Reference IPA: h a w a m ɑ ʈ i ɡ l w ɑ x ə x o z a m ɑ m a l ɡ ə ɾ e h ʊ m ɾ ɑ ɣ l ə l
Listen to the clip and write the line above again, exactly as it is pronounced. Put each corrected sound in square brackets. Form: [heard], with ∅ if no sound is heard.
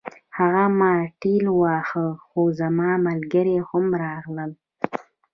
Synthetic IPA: h a [ɣ] a m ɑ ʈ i [∅] l w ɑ x ə x o z a m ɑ m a l ɡ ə ɾ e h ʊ m ɾ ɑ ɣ l ə l